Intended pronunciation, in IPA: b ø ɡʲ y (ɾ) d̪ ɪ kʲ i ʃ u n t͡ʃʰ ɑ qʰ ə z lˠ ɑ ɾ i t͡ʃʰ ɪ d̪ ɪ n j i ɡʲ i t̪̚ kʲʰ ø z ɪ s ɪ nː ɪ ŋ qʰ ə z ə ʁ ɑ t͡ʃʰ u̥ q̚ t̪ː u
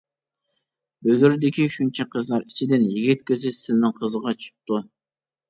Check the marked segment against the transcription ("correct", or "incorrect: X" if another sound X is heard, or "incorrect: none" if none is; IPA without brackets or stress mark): correct